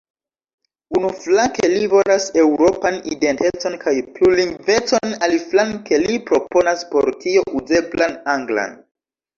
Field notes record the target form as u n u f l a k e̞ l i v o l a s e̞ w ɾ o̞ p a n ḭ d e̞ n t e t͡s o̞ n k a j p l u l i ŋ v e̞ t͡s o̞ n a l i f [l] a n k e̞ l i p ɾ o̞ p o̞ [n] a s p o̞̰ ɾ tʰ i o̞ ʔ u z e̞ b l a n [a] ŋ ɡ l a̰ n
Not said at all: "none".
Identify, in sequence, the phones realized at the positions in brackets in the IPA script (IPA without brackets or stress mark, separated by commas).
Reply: l, n, a